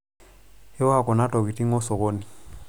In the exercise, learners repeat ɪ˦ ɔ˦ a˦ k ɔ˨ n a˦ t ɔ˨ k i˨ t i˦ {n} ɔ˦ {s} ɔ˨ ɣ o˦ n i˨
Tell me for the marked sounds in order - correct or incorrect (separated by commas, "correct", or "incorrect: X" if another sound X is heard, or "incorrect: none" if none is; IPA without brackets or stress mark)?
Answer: incorrect: ŋ, correct